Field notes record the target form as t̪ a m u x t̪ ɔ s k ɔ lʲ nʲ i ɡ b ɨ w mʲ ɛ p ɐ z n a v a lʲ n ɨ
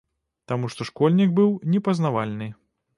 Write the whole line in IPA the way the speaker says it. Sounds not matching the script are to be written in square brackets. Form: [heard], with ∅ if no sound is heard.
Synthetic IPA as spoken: t̪ a m u [ʂ] t̪ ɔ [ʂ] k ɔ lʲ nʲ i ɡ b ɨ w [nʲ] ɛ p ɐ z n a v a lʲ n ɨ